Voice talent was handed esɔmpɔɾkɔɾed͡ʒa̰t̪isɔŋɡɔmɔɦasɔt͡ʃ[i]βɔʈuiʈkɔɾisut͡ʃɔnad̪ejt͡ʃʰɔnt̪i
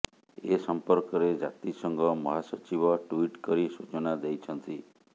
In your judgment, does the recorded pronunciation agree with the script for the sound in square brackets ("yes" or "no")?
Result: yes